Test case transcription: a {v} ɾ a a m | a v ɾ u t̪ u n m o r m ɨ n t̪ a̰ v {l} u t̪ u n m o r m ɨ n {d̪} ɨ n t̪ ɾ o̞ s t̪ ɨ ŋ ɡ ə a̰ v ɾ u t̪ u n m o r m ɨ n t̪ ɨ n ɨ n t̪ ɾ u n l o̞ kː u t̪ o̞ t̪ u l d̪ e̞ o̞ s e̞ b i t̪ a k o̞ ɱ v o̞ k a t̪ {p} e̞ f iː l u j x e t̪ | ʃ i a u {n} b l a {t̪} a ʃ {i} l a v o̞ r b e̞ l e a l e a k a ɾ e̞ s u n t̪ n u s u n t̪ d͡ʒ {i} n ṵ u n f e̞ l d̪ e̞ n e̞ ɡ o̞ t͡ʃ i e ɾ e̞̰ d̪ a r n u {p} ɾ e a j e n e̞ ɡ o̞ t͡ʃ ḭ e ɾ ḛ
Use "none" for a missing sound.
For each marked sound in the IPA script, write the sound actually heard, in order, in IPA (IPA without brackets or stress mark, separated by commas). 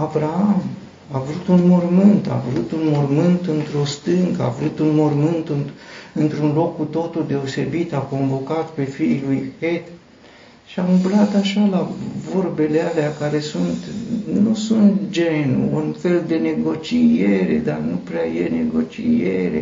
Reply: v, ɾ, t̪, p, m, t̪, a, e, p